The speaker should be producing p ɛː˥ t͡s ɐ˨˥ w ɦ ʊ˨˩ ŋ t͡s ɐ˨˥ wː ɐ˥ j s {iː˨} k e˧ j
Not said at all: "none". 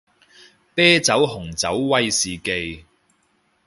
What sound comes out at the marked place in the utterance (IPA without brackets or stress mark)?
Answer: iː˨